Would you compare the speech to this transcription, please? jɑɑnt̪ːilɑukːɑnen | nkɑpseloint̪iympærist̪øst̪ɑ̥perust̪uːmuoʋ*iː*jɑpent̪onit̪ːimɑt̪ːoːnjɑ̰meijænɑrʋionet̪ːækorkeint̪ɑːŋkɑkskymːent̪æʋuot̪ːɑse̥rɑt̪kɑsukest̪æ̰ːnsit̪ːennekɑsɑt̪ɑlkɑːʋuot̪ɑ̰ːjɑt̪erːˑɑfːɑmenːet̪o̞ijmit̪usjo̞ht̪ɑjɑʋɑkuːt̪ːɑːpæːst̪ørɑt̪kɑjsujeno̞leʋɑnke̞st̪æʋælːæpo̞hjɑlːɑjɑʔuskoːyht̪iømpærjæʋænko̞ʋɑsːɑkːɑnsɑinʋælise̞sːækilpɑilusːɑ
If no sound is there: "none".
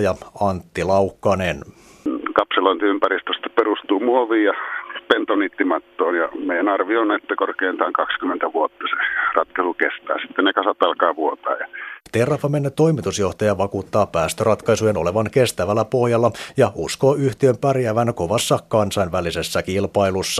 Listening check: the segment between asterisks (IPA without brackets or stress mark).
iː